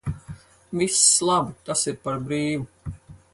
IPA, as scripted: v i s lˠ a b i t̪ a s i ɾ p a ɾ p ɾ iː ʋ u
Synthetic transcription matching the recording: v i s lˠ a b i t̪ a s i ɾ p a ɾ b ɾ iː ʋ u

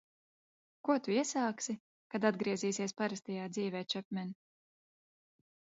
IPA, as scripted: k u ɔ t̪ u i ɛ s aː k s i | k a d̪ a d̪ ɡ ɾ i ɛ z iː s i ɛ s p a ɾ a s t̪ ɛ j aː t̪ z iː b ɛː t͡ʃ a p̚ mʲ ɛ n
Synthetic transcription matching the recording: k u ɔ t̪ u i ɛ s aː k s i | k a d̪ a d̪ ɡ ɾ i ɛ z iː s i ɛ s p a ɾ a s t̪ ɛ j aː d̪ z iː v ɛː t͡ʃ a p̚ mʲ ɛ n

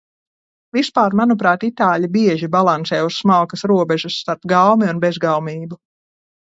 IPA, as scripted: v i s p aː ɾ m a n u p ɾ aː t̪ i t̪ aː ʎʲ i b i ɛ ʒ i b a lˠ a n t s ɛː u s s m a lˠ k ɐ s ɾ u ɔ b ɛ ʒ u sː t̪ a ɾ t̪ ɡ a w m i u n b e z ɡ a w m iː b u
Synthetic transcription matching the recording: v i s p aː ɾ m a n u p ɾ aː t̪ i t̪ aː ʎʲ i b i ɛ ʒ i b a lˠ a n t s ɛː u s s m a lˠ k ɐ s ɾ u ɔ b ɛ ʒ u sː t̪ a ɾ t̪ ɡ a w m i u n b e z ɡ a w m iː b u

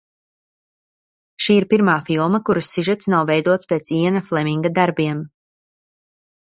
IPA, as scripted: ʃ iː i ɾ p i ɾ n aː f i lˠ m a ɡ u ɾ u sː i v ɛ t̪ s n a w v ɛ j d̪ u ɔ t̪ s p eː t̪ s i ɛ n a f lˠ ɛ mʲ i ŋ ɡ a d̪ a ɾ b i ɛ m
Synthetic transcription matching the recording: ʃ iː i ɾ p i ɾ m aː f i lˠ m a k u ɾ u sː i ʒ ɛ t̪ s n a w v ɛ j d̪ u ɔ t̪ s p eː t̪ s i ɛ n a f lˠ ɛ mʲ i ŋ ɡ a d̪ a ɾ b i ɛ m

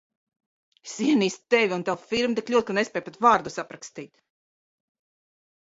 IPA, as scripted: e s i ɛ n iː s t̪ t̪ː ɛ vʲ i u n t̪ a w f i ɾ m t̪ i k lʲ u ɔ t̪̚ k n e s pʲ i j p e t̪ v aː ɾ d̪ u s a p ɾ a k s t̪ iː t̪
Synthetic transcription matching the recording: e s i ɛ n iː s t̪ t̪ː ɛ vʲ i u n t̪ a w f i ɾ m t̪ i k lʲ u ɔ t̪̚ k n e s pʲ ɛ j p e t̪ v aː ɾ d̪ u s a p ɾ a k s t̪ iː t̪

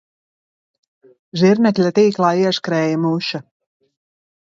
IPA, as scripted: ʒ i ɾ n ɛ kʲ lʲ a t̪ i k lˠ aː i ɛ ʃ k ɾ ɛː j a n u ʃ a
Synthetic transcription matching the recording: ʒ i ɾ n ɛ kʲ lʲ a t̪ iː k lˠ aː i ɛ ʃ k ɾ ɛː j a m u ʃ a

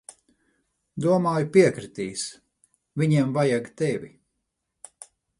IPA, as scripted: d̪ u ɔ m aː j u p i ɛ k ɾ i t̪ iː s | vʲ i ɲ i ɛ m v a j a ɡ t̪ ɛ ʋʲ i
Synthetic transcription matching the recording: d̪ u ɔ m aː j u p i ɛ k ɾ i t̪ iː s | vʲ i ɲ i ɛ m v a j a ɡ t̪ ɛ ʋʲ i

